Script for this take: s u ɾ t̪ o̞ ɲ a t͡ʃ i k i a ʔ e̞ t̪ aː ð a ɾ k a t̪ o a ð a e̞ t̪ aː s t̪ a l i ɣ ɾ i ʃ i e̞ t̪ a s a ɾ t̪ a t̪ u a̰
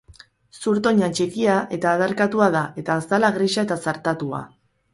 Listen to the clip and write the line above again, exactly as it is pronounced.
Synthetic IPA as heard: s u ɾ t̪ o̞ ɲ a t͡ʃ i k i a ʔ e̞ t̪ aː ð a ɾ k a t̪ u a ð a e̞ t̪ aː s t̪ a l a ɣ ɾ i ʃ a e̞ t̪ a s a ɾ t̪ a t̪ u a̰